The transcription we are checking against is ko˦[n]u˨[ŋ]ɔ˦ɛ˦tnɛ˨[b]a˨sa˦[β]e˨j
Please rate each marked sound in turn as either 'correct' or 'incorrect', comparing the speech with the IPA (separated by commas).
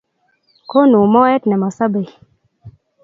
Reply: correct, incorrect, incorrect, incorrect